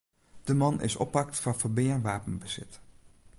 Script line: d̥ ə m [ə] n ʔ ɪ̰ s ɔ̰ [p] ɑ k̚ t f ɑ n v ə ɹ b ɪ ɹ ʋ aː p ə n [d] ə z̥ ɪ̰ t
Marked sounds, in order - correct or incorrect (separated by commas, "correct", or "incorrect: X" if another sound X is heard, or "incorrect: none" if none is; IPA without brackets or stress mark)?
incorrect: ɑ, correct, incorrect: b